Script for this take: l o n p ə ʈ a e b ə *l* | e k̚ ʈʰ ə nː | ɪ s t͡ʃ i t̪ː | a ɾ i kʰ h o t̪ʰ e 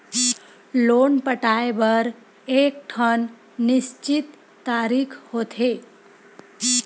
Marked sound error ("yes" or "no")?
yes